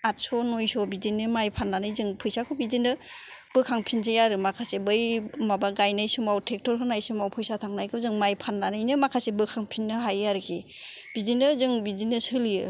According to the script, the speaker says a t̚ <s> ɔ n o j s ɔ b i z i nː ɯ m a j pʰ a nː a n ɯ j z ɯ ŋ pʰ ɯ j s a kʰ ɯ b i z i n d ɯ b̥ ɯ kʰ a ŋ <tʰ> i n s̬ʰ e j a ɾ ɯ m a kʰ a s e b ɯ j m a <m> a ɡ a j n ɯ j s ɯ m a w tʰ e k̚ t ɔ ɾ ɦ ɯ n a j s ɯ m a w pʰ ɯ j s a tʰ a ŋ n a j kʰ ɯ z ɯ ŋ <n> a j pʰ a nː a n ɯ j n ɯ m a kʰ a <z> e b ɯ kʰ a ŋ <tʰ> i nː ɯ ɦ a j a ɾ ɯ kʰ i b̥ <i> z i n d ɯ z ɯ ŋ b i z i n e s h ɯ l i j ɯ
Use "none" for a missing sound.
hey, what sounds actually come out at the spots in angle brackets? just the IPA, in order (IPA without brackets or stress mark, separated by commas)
s, pʰ, b, m, s, pʰ, i